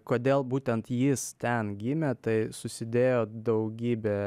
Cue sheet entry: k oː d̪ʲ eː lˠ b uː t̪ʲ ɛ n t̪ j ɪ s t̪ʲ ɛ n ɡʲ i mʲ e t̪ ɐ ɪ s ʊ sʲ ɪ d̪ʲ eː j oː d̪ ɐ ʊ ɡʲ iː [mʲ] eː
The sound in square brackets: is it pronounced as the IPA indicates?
no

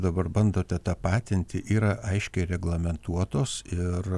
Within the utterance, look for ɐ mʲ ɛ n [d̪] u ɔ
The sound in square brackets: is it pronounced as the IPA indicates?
no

